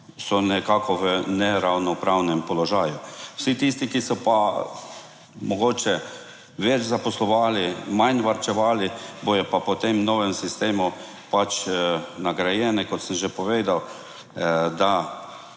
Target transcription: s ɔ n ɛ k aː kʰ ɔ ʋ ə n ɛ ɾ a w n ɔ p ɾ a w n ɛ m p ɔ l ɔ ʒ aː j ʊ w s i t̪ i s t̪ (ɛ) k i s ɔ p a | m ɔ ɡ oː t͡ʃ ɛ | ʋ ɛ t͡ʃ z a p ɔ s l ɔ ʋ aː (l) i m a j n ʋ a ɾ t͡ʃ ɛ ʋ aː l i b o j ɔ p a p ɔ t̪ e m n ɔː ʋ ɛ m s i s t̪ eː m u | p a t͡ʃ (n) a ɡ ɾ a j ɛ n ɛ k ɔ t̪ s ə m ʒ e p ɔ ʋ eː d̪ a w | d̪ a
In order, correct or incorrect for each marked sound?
incorrect: i, correct, correct

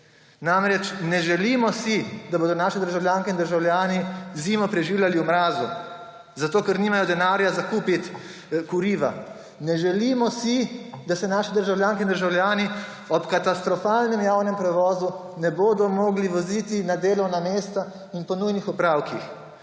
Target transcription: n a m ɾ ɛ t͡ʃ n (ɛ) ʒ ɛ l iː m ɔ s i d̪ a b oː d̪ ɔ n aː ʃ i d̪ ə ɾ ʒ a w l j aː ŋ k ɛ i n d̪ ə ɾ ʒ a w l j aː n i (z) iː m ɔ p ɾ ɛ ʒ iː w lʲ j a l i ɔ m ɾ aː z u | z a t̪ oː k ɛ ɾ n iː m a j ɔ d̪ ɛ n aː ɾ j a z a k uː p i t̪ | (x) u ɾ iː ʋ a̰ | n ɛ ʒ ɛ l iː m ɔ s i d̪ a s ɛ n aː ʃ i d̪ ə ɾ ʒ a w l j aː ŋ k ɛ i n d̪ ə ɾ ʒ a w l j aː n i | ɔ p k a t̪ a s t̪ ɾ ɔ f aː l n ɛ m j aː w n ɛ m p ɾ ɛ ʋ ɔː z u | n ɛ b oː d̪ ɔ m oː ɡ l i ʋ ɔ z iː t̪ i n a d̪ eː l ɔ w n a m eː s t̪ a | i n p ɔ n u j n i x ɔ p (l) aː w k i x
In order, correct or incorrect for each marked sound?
correct, correct, incorrect: k, incorrect: ɾ

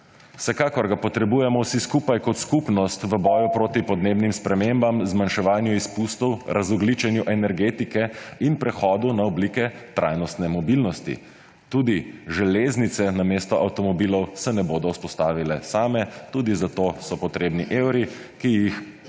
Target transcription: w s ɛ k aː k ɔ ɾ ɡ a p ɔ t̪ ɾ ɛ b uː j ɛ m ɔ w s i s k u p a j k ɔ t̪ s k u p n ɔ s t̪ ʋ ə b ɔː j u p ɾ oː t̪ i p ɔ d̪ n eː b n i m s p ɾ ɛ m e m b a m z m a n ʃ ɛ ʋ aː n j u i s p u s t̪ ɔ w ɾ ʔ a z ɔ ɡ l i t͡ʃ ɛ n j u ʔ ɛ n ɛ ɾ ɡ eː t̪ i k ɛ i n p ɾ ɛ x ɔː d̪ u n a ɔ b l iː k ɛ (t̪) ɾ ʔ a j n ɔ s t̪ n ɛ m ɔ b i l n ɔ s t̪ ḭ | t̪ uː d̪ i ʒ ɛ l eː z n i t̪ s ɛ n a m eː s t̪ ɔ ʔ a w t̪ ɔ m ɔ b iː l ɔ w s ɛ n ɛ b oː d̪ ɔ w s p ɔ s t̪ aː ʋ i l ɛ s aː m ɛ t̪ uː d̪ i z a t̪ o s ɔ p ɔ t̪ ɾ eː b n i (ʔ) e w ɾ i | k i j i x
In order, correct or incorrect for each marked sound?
correct, correct

